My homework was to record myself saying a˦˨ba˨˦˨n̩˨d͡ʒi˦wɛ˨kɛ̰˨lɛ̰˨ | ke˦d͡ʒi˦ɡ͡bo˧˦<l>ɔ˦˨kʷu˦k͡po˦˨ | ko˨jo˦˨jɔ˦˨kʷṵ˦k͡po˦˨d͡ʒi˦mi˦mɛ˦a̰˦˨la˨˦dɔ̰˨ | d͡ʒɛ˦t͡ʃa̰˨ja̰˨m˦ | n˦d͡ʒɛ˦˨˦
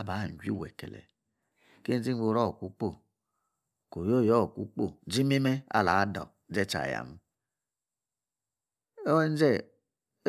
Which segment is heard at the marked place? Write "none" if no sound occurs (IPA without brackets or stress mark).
ɾ